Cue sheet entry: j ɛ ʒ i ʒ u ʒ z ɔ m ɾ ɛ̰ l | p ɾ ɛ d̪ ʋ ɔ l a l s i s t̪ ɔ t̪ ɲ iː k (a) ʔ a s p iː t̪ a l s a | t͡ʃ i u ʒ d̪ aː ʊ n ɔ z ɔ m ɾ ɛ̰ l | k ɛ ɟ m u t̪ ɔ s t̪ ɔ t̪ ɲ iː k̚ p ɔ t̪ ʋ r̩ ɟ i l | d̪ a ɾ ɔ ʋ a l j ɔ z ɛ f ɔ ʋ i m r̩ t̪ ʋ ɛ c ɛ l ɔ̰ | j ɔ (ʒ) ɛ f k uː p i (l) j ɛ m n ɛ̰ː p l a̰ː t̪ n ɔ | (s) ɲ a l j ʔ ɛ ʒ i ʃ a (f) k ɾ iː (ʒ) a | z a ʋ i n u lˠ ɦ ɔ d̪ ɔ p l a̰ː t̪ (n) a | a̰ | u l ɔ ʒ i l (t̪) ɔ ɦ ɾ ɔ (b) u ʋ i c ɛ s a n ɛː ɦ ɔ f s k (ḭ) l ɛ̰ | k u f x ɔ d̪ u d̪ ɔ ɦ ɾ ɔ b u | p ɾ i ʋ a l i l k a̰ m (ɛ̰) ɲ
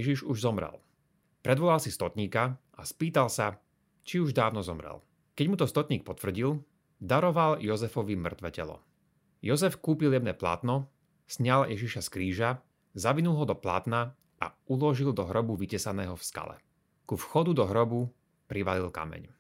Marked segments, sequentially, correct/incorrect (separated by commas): correct, incorrect, correct, correct, incorrect, correct, correct, incorrect, correct, incorrect, correct